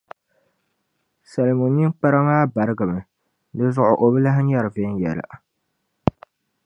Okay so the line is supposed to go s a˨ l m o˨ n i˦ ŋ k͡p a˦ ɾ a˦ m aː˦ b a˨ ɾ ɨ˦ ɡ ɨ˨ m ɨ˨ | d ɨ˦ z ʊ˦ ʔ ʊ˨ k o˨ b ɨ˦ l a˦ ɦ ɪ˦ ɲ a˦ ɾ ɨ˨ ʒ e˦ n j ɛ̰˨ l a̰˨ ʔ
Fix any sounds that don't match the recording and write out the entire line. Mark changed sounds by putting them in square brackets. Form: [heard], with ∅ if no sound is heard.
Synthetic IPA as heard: s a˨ l m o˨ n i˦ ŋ k͡p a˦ ɾ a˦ m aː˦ b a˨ ɾ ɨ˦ ɡ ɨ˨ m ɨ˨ | d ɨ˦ z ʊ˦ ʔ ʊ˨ [ʔ] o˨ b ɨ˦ l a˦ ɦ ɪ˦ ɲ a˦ ɾ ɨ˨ [v] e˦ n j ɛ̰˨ l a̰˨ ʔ